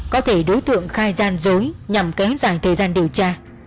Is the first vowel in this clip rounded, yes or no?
yes